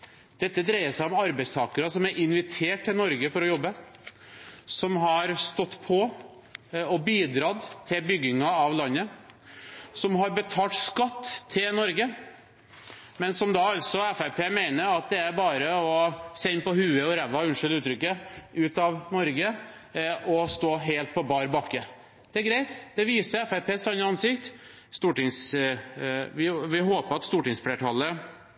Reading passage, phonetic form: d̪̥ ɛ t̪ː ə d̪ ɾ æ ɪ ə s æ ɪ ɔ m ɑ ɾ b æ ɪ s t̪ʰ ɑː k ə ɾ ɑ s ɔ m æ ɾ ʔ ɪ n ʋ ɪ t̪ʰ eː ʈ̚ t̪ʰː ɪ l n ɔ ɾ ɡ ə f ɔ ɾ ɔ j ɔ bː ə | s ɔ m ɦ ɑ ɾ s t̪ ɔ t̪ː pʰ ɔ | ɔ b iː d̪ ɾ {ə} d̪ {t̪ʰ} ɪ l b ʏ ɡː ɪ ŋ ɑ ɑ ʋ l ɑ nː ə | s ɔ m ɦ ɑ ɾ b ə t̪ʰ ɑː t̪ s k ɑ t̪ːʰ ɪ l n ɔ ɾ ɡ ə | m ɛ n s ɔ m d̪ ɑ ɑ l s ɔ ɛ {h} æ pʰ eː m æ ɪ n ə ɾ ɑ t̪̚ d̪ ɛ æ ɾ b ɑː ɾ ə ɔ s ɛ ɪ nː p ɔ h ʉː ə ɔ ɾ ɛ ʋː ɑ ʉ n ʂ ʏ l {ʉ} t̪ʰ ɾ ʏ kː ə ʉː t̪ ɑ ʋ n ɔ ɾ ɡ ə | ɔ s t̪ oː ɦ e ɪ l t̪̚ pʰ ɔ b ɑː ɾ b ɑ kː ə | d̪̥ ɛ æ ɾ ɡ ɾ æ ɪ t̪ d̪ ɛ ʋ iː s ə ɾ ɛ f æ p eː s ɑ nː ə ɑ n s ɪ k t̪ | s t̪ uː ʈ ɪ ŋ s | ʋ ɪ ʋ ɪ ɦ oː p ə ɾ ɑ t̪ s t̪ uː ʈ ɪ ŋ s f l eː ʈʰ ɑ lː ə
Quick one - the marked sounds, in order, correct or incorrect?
incorrect, correct, incorrect, incorrect

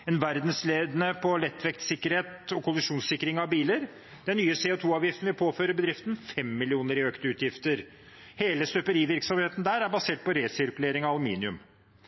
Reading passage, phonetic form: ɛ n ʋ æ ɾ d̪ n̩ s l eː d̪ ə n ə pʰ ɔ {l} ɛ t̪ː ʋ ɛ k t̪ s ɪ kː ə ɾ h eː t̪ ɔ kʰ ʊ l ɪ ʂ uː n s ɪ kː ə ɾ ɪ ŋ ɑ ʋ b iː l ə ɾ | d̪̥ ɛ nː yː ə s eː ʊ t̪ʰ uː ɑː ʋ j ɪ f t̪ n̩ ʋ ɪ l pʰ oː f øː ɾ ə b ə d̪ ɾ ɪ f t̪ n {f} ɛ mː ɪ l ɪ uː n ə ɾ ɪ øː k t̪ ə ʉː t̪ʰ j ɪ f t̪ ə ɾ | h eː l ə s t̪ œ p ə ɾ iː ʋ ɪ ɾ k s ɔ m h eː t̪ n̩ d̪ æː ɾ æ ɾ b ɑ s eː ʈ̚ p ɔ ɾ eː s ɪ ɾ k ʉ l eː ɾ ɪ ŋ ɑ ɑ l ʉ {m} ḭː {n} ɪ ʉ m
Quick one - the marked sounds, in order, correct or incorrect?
correct, correct, correct, correct

